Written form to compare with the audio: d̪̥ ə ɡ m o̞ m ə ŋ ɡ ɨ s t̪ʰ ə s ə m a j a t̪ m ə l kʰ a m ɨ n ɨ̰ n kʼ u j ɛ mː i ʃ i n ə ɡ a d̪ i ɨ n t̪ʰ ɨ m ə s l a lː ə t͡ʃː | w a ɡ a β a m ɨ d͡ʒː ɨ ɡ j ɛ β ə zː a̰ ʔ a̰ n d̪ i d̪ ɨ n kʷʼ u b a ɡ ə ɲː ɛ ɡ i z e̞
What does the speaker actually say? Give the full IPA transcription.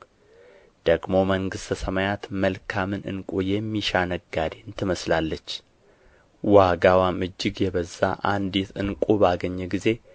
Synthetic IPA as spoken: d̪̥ ə ɡ m o̞ m ə ŋ ɡ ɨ s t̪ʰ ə s ə m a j a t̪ m ə l kʰ a m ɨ n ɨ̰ n kʼ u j ɛ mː i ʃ a n ə ɡ a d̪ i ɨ n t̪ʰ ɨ m ə s l a lː ə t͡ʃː | w a ɡ a w a m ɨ d͡ʒː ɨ ɡ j ɛ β ə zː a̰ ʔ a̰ n d̪ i t̪ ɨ n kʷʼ u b a ɡ ə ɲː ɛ ɡ i z e̞